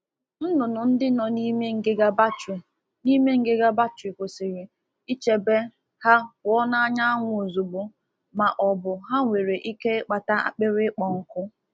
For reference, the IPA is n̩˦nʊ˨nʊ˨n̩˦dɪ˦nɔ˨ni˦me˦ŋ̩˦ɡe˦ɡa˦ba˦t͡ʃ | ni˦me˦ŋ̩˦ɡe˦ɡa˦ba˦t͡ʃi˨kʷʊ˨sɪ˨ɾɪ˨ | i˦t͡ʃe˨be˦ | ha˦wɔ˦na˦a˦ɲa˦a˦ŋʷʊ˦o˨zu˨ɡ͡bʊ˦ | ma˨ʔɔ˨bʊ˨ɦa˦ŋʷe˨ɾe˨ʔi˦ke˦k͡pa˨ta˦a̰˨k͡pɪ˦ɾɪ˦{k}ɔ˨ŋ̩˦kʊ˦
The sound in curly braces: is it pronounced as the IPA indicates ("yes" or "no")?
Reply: no